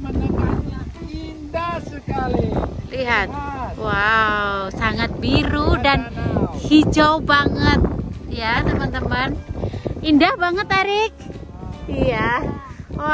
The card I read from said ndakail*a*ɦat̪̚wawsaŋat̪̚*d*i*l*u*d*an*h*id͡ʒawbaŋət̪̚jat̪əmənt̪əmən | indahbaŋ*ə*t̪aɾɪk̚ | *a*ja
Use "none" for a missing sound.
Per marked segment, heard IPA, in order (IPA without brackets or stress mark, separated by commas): i, b, ɾ, d, h, ə, i